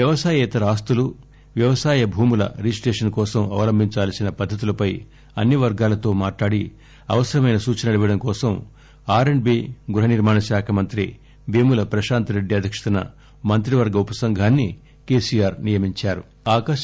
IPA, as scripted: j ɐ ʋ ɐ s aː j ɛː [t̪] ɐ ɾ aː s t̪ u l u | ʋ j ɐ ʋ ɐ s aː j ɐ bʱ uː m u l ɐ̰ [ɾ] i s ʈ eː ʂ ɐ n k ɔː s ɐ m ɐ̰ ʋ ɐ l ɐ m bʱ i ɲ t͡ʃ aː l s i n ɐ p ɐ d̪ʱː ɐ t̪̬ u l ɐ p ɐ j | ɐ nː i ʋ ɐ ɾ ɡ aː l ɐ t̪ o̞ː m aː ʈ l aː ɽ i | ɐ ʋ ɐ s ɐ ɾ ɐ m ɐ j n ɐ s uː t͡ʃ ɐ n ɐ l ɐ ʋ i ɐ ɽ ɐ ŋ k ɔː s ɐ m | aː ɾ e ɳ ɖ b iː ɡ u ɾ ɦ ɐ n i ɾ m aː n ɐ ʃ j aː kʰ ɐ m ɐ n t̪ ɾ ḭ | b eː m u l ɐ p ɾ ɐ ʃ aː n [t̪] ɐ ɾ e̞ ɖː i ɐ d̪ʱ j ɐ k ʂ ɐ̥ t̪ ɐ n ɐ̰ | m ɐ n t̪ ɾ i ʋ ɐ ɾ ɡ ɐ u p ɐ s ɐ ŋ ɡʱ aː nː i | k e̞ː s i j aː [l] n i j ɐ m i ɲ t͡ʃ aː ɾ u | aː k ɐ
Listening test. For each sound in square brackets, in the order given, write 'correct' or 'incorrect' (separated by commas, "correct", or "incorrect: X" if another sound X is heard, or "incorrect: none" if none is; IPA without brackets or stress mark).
correct, correct, correct, incorrect: ɾ